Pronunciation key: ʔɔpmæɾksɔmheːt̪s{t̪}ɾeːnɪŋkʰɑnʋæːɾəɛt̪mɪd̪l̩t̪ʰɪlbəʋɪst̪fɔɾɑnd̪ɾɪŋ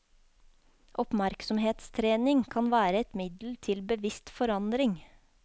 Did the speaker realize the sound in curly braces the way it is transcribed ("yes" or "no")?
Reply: no